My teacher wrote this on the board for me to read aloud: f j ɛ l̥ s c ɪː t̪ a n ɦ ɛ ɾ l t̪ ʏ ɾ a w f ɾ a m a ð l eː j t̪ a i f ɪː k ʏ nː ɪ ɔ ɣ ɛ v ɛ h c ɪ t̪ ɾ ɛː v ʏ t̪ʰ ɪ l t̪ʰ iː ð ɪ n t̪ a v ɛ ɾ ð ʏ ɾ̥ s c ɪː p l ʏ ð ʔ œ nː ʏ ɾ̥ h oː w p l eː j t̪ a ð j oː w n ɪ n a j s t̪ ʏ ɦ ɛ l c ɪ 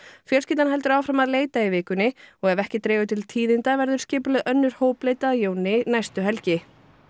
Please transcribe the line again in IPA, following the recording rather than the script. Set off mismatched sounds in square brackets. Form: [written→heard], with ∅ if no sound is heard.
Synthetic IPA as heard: f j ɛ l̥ s c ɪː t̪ a n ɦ ɛ [ɾ→∅] l t̪ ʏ ɾ a w f ɾ a m a ð l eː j t̪ a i [f→v] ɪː k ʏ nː ɪ ɔ ɣ ɛ v ɛ h c ɪ t̪ ɾ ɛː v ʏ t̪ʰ ɪ l t̪ʰ iː ð ɪ n t̪ a v ɛ ɾ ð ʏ ɾ̥ s c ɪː p l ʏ ð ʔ œ nː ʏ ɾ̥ h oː w p l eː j t̪ a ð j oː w n ɪ n a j s t̪ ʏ ɦ ɛ l c ɪ